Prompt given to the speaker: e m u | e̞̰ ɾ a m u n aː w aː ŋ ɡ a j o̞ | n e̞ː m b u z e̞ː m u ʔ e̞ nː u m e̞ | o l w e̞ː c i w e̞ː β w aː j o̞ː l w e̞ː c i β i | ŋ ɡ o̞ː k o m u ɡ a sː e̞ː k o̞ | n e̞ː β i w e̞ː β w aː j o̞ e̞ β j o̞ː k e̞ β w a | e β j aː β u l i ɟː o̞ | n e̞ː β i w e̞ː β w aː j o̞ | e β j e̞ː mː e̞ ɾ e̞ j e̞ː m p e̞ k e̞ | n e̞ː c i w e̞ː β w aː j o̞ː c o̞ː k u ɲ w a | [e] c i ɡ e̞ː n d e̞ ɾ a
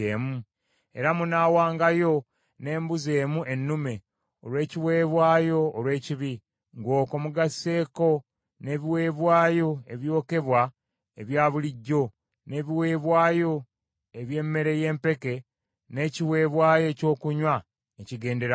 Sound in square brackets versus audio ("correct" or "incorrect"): correct